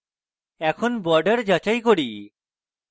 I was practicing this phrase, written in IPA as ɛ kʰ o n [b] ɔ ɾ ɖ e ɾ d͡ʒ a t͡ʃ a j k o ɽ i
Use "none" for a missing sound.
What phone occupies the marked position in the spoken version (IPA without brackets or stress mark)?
b